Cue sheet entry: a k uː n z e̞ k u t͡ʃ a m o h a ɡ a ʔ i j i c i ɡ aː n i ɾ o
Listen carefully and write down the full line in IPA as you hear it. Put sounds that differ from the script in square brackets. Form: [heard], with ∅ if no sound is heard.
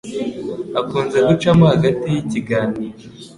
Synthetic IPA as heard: a k uː n z e̞ [ɡ] u t͡ʃ a m o h a ɡ a [t] i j i c i ɡ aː n [iː] ɾ o

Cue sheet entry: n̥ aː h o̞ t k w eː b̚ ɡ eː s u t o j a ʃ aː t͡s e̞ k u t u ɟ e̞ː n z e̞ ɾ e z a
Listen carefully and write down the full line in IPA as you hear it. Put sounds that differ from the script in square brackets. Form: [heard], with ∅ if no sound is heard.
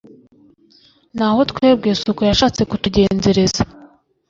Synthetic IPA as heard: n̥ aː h o̞ t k w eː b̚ ɡ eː s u [k] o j a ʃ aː t͡s e̞ k u t u ɟ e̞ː n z e̞ ɾ e z a

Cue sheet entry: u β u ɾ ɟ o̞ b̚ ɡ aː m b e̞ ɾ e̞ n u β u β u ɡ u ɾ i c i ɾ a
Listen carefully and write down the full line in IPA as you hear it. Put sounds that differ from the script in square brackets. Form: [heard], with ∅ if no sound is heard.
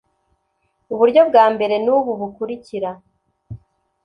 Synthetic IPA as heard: u β u ɾ ɟ o̞ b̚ ɡ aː m b e̞ ɾ e̞ n u β u β u [k] u ɾ i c i ɾ a

